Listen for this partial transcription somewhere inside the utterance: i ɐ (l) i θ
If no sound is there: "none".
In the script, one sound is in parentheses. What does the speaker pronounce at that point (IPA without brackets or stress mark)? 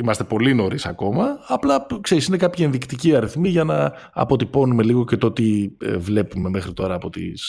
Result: ɾ